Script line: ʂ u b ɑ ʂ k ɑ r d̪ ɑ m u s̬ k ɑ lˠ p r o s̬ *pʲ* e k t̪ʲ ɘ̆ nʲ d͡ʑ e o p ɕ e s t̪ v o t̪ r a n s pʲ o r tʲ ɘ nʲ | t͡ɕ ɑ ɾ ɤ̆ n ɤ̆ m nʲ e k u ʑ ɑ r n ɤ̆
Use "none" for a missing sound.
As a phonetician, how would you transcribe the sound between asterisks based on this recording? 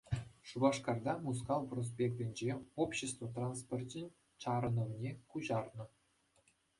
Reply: pʲ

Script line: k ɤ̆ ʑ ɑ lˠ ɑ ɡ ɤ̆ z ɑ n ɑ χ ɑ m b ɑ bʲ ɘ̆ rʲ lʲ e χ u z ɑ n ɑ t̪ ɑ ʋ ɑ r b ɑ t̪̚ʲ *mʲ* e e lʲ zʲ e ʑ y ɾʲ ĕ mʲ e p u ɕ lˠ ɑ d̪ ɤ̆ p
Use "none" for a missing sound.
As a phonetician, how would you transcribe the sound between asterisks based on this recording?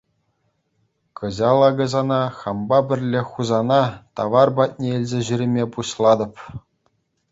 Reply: nʲ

